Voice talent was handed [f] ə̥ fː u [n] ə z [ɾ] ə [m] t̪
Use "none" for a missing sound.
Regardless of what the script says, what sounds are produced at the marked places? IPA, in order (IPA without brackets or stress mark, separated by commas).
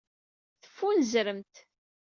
θ, n, ɾ, m